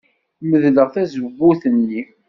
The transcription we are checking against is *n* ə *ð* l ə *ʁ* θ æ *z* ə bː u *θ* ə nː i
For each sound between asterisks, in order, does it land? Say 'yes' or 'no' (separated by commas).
no, yes, yes, yes, yes